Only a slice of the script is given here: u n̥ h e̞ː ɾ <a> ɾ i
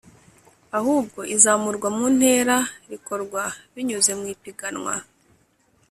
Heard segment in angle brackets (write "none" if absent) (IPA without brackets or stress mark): a